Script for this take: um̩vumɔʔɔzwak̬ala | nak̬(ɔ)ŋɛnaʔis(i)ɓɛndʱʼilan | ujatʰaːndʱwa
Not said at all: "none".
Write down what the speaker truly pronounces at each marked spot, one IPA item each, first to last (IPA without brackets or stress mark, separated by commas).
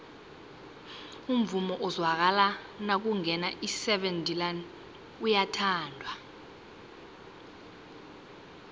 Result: u, ɛ